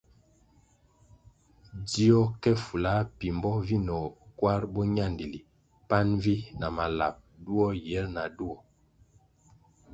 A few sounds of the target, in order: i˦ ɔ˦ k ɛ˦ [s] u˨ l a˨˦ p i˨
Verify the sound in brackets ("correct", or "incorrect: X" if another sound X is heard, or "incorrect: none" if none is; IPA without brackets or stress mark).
incorrect: f